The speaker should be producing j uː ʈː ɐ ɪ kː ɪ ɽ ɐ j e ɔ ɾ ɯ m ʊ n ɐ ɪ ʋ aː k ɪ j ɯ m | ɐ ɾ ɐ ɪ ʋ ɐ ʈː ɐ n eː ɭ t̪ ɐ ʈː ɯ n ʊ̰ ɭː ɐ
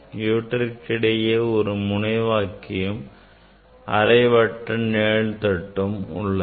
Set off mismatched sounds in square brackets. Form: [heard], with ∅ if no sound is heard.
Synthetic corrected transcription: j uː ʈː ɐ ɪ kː ɪ ɽ ɐ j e ɔ ɾ ɯ m ʊ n ɐ ɪ ʋ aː k ɪ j ɯ m | ɐ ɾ ɐ ɪ ʋ ɐ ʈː ɐ n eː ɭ t̪ ɐ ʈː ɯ [m] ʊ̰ ɭː ɐ